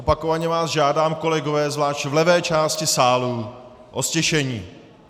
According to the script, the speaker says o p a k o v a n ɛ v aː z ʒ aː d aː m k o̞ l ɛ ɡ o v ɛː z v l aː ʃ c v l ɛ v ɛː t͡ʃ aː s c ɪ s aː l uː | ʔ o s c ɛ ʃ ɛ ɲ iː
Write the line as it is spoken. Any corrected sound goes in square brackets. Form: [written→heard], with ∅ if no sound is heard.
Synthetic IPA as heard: o p a k o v a [n→ɲ] ɛ v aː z ʒ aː d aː m k o̞ l ɛ ɡ o v ɛː z v l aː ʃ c v l ɛ v ɛː t͡ʃ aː s c ɪ s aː l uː | ʔ o s c ɛ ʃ ɛ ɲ iː